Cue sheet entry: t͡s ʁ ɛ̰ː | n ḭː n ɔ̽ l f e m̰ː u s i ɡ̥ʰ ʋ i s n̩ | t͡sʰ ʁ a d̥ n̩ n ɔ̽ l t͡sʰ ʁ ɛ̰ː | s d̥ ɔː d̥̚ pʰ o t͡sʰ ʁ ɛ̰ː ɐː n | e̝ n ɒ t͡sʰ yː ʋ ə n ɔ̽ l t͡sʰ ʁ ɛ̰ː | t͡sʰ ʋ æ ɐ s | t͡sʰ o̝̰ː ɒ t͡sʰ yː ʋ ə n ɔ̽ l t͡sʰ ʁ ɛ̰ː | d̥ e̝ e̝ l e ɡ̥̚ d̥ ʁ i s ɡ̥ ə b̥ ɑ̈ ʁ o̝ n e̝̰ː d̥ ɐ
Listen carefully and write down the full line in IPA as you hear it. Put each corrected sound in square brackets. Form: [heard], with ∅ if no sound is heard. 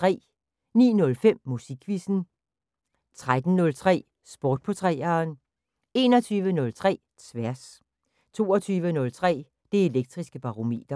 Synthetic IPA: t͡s ʁ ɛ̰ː | n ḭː n ɔ̽ l f e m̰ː u s i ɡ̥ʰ ʋ i s n̩ | t͡sʰ ʁ a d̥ n̩ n ɔ̽ l t͡sʰ ʁ ɛ̰ː | s [b̥] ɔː d̥̚ pʰ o t͡sʰ ʁ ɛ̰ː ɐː n | e̝ n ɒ t͡sʰ yː ʋ ə n ɔ̽ l t͡sʰ ʁ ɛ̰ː | t͡sʰ ʋ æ ɐ s | t͡sʰ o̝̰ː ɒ t͡sʰ yː ʋ ə n ɔ̽ l t͡sʰ ʁ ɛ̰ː | d̥ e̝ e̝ l e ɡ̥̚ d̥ ʁ i s ɡ̥ ə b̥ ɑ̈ ʁ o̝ [m] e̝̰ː d̥ ɐ